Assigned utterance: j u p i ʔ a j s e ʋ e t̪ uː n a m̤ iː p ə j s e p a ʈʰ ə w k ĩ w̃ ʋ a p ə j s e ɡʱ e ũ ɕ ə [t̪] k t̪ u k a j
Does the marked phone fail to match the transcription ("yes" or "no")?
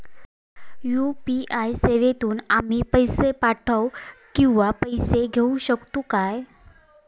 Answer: yes